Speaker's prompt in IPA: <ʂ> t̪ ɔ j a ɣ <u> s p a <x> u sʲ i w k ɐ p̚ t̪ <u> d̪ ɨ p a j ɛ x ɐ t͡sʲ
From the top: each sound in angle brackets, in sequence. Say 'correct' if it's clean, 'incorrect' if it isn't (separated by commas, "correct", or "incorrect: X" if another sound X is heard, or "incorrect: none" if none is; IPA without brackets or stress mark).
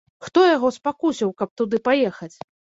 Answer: incorrect: x, incorrect: ɔ, incorrect: k, correct